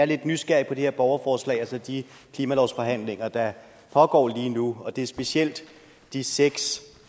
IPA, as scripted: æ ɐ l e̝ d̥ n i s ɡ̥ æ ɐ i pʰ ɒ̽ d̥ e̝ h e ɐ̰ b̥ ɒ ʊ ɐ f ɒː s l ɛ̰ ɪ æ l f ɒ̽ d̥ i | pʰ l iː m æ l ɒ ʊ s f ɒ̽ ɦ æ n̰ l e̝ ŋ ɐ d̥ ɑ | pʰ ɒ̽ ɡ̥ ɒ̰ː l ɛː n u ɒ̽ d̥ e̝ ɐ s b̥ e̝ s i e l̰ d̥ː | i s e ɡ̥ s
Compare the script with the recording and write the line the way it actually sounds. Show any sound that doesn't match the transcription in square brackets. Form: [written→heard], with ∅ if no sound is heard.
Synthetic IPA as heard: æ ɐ l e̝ d̥ n [i→y] s ɡ̥ æ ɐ i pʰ ɒ̽ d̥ e̝ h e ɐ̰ b̥ ɒ ʊ ɐ f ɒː s l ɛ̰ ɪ æ l [f→s] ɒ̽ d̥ i | [pʰ→kʰ] l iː m æ l ɒ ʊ s f ɒ̽ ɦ æ n̰ l e̝ ŋ ɐ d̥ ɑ | pʰ ɒ̽ ɡ̥ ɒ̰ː l [ɛː→iː] n u ɒ̽ d̥ e̝ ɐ s b̥ e̝ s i e l̰ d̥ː | i s e ɡ̥ s